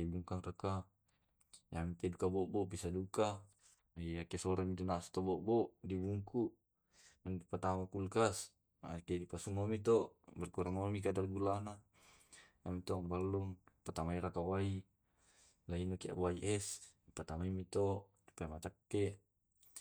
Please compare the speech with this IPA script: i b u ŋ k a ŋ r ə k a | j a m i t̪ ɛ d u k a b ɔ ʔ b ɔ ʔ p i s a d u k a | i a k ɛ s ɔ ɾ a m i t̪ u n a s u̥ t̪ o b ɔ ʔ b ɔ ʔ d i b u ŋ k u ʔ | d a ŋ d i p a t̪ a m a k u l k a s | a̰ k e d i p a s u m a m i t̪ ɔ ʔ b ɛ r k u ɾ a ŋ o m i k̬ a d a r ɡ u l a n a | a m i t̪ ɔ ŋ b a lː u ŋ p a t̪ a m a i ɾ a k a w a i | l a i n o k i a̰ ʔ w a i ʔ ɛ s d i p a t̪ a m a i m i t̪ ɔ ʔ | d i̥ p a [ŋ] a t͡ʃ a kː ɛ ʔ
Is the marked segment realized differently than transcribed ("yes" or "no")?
yes